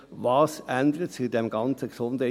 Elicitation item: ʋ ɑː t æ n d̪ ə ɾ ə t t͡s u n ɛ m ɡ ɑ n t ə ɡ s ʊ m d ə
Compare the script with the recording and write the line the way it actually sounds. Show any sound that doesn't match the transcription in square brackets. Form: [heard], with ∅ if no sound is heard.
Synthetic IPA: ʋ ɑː [s] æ n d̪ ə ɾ ə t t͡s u [d] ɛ m ɡ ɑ n [t͡s] ə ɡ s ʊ [n] d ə